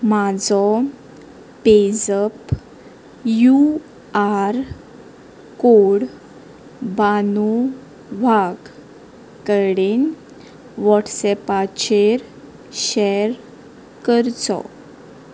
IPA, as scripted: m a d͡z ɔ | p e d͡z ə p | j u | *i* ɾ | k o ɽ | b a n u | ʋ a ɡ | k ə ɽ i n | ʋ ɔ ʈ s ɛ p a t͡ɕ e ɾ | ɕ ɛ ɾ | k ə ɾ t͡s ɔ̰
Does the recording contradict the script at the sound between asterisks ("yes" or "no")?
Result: yes